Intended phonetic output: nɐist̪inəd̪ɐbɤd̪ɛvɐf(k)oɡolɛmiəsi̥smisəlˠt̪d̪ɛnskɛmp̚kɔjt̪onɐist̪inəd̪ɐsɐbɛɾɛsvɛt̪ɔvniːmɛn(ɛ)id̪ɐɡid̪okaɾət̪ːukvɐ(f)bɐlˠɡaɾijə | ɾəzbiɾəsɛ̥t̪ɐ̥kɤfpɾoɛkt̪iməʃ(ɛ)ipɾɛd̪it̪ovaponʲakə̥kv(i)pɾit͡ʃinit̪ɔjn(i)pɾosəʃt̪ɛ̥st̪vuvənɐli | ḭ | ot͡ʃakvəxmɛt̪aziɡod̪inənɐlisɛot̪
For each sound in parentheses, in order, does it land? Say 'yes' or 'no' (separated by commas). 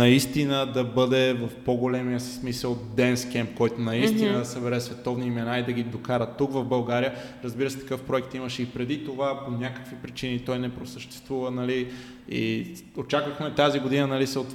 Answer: no, no, no, yes, yes, no